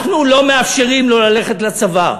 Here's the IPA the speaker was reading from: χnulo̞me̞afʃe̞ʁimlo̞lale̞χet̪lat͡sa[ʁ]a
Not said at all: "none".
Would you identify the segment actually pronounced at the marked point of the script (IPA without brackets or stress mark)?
v